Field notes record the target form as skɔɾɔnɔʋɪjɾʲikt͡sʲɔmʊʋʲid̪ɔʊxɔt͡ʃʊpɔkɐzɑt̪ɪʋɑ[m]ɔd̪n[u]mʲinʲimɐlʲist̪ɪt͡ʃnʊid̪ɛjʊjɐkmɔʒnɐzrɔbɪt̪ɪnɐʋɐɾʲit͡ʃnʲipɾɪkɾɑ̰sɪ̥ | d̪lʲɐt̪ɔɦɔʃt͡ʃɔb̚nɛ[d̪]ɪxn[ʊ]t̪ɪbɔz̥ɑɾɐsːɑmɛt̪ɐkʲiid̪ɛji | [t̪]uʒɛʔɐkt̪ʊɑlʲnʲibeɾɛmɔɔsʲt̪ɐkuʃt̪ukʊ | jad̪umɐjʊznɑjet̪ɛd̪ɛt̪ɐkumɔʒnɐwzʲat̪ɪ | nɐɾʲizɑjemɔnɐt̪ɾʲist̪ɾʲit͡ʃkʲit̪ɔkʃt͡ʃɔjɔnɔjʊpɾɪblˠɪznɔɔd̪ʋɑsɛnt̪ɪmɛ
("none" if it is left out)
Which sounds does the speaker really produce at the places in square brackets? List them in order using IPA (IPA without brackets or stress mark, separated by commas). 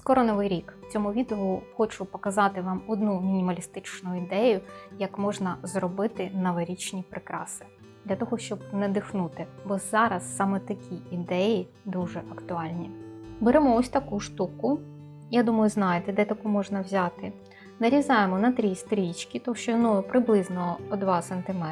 m, u, d̪, u, d̪